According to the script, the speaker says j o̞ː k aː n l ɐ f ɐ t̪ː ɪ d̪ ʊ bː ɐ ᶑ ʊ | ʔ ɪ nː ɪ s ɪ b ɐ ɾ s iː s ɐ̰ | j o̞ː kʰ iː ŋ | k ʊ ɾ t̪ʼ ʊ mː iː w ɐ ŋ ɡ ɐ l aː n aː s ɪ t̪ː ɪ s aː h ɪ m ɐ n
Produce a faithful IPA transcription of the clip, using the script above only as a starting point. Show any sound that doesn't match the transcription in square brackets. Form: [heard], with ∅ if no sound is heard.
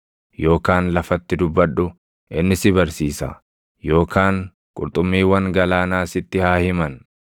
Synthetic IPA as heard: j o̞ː k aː n l ɐ f ɐ t̪ː ɪ d̪ ʊ bː ɐ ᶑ ʊ | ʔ ɪ nː ɪ s ɪ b ɐ ɾ s iː s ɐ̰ | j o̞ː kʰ [aː] ŋ | [kʼ] ʊ ɾ t̪ʼ ʊ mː iː w ɐ ŋ ɡ ɐ l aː n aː s ɪ t̪ː ɪ [h] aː h ɪ m ɐ n